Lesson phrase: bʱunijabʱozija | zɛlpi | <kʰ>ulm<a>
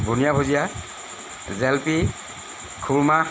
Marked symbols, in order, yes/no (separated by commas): yes, yes